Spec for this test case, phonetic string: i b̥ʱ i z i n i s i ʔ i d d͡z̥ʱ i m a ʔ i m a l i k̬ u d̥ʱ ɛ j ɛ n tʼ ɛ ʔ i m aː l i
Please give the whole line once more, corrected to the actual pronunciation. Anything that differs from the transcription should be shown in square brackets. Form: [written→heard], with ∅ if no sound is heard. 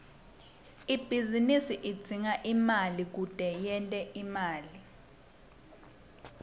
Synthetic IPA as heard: i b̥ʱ i z i n i s i ʔ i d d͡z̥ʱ i [m→ŋ] a ʔ i m a l i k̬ u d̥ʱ ɛ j ɛ n tʼ ɛ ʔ i m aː l i